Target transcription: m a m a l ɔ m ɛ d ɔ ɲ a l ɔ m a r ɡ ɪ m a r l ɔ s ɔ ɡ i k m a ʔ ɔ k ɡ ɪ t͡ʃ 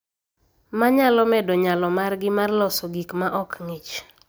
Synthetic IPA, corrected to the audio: m a ɲ a l ɔ m ɛ d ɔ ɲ a l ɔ m a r ɡ ɪ m a r l ɔ s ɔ ɡ i k m a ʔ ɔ k ŋ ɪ t͡ʃ